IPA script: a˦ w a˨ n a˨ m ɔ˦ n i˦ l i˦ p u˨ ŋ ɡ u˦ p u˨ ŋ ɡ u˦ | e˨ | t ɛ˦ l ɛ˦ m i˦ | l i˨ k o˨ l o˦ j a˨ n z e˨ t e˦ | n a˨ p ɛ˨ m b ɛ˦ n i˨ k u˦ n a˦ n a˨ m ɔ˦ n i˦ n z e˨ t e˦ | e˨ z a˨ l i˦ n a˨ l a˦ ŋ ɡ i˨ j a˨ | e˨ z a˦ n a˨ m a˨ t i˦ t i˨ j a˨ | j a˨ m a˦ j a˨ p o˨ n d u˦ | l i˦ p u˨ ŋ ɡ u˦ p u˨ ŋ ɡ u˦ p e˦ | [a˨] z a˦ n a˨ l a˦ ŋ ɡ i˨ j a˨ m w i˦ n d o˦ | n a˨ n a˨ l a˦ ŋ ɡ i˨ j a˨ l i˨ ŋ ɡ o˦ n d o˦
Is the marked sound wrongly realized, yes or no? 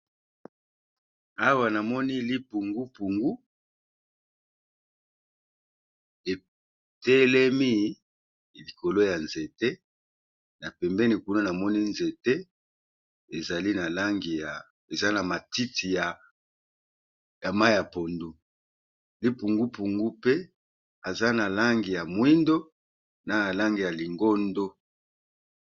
no